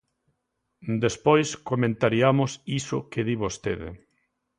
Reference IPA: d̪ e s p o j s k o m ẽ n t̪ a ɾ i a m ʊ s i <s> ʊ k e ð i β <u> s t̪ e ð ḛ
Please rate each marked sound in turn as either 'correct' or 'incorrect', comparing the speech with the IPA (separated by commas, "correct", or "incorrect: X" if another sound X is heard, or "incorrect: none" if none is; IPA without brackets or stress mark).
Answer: correct, incorrect: o